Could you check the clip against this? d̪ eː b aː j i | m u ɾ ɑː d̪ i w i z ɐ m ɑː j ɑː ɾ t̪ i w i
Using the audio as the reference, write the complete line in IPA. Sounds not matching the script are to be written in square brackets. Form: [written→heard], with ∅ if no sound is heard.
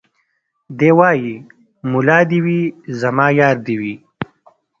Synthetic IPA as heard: d̪ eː [b→w] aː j i | m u [ɾ→l] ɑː d̪ i w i z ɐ m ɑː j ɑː ɾ [t̪→d̪] i w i